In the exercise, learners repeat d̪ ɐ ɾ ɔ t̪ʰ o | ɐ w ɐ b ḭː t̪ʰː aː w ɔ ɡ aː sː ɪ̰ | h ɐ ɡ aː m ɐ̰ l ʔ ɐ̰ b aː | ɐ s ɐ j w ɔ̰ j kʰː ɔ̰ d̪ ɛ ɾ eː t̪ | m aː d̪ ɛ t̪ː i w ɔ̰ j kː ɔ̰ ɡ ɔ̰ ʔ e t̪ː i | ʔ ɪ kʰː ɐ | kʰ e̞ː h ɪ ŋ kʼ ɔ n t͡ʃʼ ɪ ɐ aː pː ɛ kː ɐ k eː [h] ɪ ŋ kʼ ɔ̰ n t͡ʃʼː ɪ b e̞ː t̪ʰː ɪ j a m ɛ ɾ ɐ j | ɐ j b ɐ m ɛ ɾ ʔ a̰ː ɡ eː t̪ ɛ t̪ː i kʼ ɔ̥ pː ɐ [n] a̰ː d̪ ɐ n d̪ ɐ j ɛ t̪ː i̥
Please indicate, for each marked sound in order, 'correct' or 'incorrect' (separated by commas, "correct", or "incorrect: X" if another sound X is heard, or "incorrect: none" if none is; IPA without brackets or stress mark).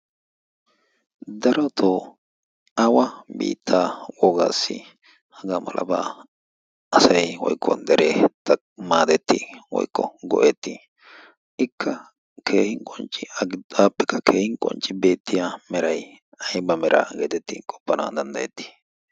correct, correct